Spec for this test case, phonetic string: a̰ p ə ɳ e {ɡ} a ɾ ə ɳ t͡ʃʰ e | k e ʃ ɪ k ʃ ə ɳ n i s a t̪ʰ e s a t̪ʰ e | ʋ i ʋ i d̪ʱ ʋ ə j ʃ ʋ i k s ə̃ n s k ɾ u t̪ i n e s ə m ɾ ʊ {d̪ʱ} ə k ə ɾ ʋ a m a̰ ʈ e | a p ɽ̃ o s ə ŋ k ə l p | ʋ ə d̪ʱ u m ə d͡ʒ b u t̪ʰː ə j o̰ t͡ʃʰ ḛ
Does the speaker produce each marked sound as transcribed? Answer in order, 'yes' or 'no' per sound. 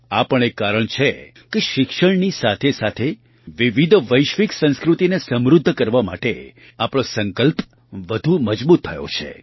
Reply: no, no

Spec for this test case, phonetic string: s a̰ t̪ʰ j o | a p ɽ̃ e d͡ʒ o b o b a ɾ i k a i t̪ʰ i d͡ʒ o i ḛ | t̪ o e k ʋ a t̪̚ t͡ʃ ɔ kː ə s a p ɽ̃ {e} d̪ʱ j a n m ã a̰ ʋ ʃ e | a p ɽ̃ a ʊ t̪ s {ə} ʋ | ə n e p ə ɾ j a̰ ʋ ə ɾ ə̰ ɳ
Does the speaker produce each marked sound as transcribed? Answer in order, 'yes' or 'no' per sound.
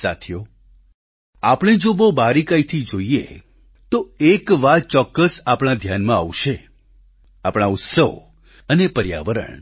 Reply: no, yes

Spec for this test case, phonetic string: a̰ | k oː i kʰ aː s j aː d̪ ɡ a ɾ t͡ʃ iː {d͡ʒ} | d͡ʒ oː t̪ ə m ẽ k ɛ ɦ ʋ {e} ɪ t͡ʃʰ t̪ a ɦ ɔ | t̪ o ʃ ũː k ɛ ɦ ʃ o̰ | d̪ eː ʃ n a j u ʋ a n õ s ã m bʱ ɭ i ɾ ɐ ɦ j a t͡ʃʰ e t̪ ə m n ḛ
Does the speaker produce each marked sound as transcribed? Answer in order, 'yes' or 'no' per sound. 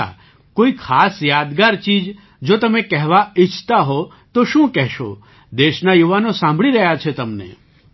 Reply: yes, no

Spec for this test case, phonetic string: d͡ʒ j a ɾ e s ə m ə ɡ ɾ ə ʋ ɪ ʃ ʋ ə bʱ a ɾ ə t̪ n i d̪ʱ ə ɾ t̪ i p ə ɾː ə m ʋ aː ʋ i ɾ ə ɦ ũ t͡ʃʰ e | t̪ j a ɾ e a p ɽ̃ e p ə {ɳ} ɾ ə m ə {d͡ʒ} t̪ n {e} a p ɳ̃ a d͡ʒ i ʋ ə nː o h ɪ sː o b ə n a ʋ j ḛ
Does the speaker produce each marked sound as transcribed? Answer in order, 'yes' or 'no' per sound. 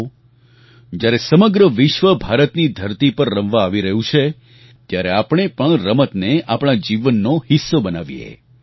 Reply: yes, no, yes

